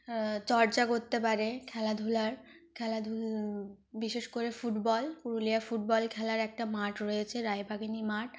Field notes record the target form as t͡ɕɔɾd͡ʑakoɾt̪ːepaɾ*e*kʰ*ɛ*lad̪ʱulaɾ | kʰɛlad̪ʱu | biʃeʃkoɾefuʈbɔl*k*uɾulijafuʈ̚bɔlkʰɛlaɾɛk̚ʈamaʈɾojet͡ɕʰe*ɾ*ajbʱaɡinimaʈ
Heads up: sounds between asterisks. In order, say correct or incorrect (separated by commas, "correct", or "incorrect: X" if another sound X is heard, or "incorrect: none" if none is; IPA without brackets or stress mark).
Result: correct, correct, correct, correct